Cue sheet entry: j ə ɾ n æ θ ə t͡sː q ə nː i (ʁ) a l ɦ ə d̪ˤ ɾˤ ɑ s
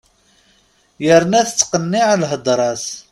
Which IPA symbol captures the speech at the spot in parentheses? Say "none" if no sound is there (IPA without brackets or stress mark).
ʕ